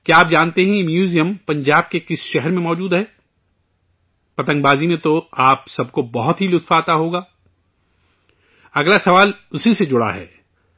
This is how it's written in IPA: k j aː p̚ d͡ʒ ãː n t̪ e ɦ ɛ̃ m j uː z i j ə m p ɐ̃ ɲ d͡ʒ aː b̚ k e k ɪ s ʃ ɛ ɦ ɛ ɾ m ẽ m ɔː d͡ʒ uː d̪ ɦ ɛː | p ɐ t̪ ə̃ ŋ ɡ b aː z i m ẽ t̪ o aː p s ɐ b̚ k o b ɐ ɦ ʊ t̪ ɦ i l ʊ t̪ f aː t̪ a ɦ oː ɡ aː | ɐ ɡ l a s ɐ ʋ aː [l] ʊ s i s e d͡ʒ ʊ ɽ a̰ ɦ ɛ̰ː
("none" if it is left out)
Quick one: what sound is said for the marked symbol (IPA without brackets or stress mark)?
l